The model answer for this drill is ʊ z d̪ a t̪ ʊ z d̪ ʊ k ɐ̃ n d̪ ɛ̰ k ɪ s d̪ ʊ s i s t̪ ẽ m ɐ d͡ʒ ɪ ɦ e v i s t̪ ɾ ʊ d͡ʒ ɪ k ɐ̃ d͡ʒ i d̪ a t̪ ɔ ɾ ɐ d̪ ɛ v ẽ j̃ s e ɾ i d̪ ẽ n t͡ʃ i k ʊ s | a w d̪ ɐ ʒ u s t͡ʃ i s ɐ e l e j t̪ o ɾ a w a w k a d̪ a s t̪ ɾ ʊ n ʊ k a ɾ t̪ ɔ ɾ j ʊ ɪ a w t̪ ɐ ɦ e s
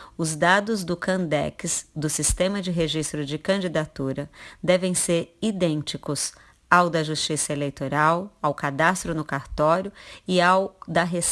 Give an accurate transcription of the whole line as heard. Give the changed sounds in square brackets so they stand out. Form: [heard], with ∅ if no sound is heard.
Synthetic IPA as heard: ʊ z d̪ a [d̪] ʊ z d̪ ʊ k ɐ̃ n d̪ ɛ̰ k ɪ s d̪ ʊ s i s t̪ ẽ m ɐ d͡ʒ ɪ ɦ e [ʒ] i s t̪ ɾ ʊ d͡ʒ ɪ k ɐ̃ d͡ʒ i d̪ a t̪ [u] ɾ ɐ d̪ ɛ v ẽ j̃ s e ɾ i d̪ ẽ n t͡ʃ i k ʊ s | a w d̪ ɐ ʒ u s t͡ʃ i s ɐ e l e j t̪ o ɾ a w a w k a d̪ a s t̪ ɾ ʊ n ʊ k a ɾ t̪ ɔ ɾ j ʊ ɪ a w [d̪] ɐ ɦ e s